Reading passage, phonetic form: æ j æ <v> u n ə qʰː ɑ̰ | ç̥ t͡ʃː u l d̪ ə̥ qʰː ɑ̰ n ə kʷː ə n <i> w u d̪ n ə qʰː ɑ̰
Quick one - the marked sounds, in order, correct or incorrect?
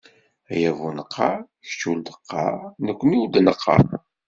correct, correct

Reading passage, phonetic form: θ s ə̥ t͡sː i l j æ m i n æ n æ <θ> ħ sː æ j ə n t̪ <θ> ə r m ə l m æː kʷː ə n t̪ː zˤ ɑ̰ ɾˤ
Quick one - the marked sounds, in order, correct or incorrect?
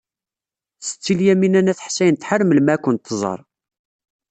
correct, incorrect: ħ

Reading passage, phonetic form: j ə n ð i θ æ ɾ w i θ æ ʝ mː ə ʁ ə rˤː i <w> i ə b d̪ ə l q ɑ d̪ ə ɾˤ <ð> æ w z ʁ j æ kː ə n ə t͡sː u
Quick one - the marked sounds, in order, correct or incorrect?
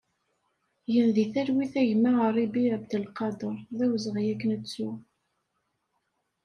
incorrect: b, correct

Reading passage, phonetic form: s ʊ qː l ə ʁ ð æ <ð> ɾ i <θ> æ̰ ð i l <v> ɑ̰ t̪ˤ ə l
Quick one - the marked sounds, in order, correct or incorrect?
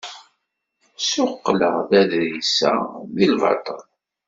correct, incorrect: s, correct

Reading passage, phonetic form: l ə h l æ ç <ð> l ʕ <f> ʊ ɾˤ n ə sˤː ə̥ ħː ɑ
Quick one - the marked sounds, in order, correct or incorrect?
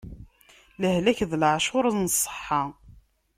correct, incorrect: ʃ

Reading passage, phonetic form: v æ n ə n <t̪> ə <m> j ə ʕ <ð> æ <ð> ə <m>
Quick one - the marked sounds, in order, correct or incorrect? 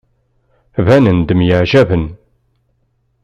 incorrect: d̪, correct, incorrect: ʒ, incorrect: v, incorrect: n

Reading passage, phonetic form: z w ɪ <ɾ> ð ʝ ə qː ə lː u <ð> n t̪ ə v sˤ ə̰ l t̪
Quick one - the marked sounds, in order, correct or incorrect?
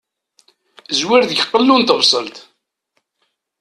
correct, incorrect: none

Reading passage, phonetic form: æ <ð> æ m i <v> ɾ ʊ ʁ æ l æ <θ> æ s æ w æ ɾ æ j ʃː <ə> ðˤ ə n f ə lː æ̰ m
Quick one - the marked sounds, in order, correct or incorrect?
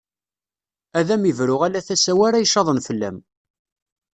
correct, correct, correct, incorrect: ɑ

